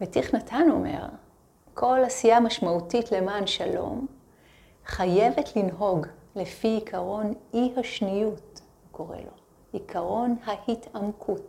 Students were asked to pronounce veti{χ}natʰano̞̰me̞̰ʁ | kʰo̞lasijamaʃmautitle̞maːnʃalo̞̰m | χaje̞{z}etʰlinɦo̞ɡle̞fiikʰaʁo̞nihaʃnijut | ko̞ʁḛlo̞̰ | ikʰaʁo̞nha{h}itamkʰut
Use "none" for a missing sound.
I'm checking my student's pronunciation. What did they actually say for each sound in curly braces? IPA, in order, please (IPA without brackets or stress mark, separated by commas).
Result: χ, v, h